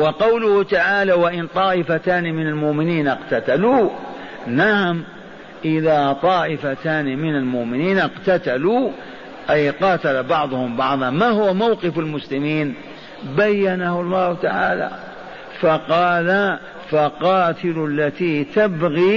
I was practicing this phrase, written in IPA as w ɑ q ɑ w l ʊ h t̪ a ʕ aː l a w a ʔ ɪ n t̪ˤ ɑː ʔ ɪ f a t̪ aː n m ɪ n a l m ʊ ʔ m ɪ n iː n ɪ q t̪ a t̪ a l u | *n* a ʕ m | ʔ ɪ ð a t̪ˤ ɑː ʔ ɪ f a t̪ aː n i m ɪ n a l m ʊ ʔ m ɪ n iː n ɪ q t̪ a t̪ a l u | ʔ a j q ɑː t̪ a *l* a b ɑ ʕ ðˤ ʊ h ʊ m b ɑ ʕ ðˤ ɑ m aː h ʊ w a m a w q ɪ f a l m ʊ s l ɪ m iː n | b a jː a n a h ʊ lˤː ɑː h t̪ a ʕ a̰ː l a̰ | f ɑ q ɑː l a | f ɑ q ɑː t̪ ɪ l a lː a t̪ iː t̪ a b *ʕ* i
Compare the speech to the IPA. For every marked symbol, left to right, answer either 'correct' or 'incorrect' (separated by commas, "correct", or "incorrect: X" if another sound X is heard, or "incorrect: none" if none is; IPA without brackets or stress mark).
correct, correct, incorrect: ɣ